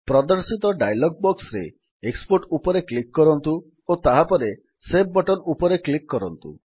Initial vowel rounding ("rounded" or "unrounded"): rounded